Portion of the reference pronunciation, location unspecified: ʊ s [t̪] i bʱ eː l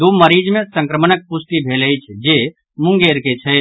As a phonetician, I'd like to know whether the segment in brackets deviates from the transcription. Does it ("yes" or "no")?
no